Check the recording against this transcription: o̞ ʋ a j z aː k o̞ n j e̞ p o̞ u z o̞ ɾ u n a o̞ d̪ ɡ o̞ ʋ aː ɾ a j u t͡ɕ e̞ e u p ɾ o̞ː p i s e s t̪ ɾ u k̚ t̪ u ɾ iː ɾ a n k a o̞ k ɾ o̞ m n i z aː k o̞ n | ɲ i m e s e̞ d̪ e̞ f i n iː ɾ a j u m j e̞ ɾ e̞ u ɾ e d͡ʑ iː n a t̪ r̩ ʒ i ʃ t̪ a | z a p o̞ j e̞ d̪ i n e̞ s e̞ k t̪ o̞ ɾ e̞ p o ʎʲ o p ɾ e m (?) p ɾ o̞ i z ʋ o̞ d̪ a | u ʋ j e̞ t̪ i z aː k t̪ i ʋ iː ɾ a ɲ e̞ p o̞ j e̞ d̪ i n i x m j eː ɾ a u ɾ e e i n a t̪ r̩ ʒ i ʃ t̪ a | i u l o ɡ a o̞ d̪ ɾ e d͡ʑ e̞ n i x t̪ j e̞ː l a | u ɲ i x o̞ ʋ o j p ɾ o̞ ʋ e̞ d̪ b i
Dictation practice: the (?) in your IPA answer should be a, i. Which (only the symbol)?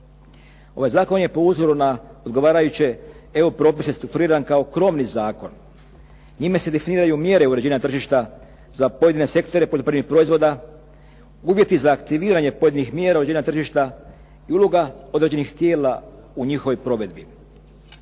i